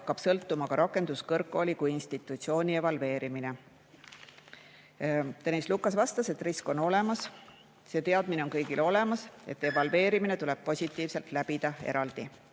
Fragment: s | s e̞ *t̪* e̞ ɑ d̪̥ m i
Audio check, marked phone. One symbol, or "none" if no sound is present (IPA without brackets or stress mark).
t̪